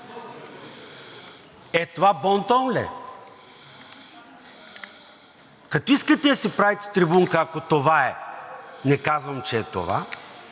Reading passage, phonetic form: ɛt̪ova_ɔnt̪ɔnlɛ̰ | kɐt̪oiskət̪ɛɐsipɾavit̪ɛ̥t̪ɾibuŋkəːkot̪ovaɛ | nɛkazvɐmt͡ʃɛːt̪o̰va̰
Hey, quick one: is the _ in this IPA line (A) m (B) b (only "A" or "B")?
B